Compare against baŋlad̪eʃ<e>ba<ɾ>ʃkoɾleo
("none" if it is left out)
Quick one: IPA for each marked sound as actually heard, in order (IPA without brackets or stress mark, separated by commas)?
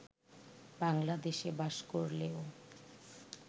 e, none